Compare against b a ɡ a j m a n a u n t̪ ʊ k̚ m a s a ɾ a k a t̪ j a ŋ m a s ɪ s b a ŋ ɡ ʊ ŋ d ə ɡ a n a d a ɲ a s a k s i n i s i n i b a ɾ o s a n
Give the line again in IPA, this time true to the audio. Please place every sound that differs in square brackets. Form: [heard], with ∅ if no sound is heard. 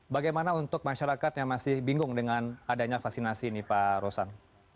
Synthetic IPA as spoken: b a ɡ a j m a n a u n t̪ ʊ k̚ m a [ʃ] a ɾ a k a t̪ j a ŋ m a s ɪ [h] b [i] ŋ ɡ ʊ ŋ d ə [ŋ] a n a d a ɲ a [f] a k s i n [a] s i n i [p] a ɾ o s a n

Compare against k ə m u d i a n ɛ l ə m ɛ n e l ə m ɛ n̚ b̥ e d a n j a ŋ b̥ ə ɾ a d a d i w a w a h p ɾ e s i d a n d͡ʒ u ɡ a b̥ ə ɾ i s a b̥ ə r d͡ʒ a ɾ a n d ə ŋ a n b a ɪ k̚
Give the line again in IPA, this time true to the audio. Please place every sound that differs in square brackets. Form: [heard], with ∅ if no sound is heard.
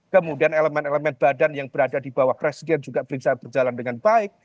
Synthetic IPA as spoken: k ə m u d i a n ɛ l ə m ɛ n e l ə m ɛ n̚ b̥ [a] d a n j a ŋ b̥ ə ɾ a d a d i [b] a w a h p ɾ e s i d [ɛ] n d͡ʒ u ɡ a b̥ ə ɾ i s a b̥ ə r d͡ʒ a [l] a n d ə ŋ a n b a ɪ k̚

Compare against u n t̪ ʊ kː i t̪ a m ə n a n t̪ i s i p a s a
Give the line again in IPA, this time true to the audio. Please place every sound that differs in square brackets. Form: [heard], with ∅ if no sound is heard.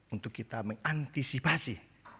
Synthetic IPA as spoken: u n t̪ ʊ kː i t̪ a m ə [ŋ] a n t̪ i s i p a s [i]

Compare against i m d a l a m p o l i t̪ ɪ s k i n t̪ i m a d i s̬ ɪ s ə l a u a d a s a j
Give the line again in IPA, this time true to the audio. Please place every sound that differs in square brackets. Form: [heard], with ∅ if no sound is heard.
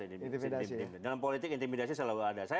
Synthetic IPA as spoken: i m d a l a m p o l i t̪ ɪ [∅] k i n t̪ i m [i] d [a] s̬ [i] s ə l a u a d a s a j

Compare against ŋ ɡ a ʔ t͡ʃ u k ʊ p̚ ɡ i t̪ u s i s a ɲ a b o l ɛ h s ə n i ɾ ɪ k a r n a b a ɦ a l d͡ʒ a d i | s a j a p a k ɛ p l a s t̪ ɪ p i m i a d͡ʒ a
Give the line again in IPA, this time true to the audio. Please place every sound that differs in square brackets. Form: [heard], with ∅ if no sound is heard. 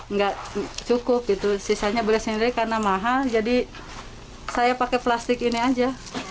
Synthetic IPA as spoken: ŋ ɡ a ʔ t͡ʃ u k ʊ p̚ ɡ i t̪ u s i s a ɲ a b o l ɛ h s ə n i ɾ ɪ k a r n a [m] a ɦ a l d͡ʒ a d i | s a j a p a k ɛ p l a s t̪ ɪ [k] i [n] i a d͡ʒ a

